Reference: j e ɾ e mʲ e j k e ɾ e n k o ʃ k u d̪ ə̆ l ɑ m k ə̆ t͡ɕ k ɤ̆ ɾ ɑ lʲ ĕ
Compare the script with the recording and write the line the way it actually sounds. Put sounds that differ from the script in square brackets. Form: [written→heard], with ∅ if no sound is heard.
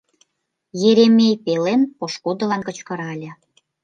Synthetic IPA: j e ɾ e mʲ e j [k→p] e [ɾ→l] e n [k→p] o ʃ k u d̪ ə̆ l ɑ [m→n] k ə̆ t͡ɕ k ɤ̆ ɾ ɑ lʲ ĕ